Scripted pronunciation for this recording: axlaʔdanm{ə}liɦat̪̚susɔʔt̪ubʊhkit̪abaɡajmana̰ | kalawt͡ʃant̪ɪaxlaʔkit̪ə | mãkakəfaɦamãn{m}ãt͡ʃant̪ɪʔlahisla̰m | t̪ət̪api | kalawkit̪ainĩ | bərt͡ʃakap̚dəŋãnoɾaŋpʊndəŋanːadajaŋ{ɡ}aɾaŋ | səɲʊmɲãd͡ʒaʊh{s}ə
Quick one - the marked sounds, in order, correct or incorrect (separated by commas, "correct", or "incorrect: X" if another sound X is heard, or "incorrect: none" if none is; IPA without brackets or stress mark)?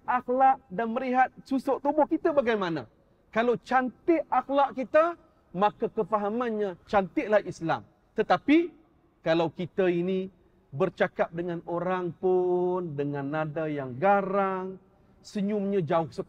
correct, incorrect: ɲ, correct, correct